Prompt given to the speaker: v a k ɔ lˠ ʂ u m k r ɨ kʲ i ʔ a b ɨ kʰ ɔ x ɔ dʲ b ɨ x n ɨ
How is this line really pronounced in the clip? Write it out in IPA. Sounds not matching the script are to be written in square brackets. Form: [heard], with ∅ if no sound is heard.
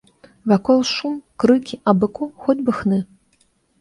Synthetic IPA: v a k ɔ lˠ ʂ u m k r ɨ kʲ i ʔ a b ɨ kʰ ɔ x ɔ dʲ b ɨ x n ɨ